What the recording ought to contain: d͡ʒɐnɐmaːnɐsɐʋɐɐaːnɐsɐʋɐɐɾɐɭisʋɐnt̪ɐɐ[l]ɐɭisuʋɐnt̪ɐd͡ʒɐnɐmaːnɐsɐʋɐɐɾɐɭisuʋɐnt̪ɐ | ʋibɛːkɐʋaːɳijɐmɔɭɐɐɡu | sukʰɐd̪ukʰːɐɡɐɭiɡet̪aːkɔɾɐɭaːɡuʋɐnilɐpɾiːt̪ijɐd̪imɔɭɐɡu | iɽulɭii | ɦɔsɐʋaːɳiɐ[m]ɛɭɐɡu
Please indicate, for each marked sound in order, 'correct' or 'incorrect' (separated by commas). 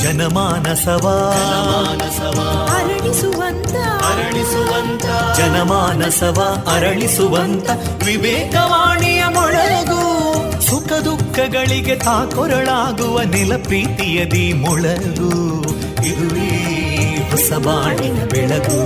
incorrect, incorrect